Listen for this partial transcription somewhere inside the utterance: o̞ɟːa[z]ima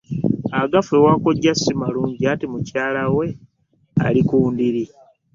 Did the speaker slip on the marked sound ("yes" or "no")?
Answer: yes